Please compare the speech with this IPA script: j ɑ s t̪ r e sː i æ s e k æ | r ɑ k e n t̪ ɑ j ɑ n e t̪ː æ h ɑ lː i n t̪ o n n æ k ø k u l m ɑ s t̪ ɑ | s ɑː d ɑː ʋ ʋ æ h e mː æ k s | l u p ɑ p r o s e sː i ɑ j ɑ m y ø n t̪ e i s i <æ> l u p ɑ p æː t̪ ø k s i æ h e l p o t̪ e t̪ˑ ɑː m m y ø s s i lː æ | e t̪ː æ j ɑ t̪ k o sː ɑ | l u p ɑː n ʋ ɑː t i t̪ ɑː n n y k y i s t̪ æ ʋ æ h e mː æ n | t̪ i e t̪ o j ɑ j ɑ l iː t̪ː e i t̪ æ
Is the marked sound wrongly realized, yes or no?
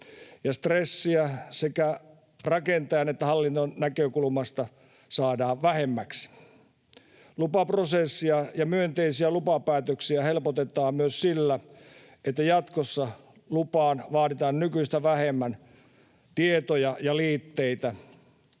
no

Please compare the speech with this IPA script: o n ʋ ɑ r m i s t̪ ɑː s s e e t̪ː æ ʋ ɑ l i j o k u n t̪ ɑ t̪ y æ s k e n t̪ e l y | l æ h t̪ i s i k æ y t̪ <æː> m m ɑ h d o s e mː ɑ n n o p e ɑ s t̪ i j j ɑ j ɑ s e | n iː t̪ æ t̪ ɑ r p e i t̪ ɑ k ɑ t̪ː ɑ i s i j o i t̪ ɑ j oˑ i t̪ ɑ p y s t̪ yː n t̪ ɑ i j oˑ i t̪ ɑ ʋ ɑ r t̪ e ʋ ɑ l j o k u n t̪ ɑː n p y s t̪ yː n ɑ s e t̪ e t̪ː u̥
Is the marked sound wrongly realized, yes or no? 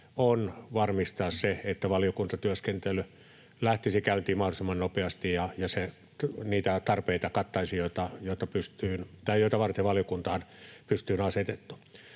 yes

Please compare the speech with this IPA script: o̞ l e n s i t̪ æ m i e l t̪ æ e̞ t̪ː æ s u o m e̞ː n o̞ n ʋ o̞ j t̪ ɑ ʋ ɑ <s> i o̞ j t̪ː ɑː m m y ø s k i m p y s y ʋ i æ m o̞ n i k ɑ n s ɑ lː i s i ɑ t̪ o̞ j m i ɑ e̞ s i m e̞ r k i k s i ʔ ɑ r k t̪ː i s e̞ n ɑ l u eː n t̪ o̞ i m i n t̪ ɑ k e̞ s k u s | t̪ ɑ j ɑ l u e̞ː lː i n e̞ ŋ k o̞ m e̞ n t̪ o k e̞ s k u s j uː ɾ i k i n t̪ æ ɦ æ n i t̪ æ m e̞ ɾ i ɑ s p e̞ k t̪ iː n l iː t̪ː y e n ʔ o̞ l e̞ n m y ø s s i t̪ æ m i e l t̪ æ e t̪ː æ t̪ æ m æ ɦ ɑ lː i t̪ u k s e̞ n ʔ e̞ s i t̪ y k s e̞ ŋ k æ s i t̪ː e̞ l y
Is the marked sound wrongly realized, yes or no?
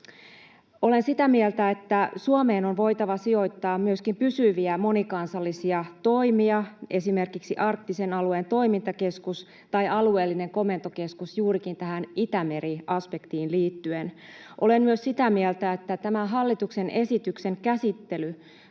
no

